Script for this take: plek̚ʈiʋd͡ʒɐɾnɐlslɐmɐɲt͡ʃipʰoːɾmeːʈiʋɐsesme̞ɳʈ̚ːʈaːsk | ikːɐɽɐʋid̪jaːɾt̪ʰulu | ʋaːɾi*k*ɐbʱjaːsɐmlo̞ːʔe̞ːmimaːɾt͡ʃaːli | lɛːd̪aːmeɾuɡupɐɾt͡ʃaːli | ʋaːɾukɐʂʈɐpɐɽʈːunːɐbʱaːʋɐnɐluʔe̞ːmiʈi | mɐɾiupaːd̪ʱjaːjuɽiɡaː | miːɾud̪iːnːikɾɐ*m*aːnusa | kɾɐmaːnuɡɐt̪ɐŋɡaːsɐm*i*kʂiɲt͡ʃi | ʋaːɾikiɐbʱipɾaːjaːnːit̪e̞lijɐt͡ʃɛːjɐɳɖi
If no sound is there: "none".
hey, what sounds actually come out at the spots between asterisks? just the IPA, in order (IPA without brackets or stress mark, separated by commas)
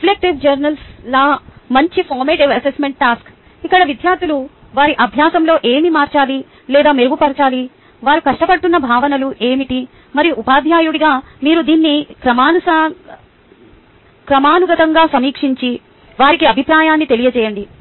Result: ʔ, m, iː